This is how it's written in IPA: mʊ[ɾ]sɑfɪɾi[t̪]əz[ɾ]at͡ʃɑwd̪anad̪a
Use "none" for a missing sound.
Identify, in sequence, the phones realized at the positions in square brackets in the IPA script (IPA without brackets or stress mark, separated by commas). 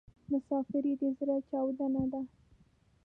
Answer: none, d̪, ɾ